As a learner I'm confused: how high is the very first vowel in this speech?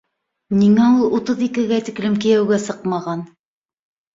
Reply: high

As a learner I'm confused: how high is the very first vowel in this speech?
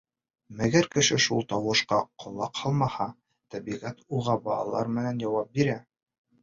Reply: low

